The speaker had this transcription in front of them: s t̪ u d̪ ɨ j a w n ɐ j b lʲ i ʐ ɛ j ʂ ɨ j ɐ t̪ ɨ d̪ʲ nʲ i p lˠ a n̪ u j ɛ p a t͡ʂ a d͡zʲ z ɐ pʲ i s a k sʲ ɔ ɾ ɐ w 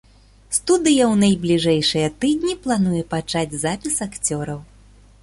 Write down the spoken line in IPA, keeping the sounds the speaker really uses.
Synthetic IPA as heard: s t̪ u d̪ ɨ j ɐ w n ɐ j b lʲ i ʐ ɛ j ʂ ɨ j ɐ t̪ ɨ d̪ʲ nʲ i p lˠ a n̪ u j ɛ p a t͡ʂ a d͡zʲ z a pʲ i s a k t͡sʲ ɔ ɾ ɐ w

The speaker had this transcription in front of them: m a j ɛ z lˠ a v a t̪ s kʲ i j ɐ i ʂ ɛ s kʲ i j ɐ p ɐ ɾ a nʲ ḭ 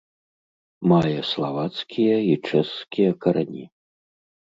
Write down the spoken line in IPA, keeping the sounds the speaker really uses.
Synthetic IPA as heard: m a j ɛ s lˠ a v a t̪ s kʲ i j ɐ i t͡ʂ ɛ s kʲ i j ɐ k ɐ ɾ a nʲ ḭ

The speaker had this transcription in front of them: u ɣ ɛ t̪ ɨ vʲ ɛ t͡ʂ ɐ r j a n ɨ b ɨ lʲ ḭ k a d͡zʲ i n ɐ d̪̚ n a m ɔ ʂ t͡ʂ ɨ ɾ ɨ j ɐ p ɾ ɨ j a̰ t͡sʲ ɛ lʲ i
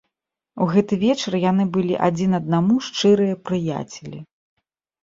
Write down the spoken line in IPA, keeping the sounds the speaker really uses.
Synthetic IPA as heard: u ɣ ɛ t̪ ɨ vʲ ɛ t͡ʂ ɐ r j a n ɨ b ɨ lʲ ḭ ʔ a d͡zʲ i n ɐ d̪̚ n a m u ʂ t͡ʂ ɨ ɾ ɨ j ɐ p ɾ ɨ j a̰ t͡sʲ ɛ lʲ i

